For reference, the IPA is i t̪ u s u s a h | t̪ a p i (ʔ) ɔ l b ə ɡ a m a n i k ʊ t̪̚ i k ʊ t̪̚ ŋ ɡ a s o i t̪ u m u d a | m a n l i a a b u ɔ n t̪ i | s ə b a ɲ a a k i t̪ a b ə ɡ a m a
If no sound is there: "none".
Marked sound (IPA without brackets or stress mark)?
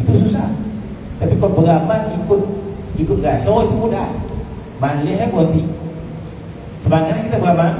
k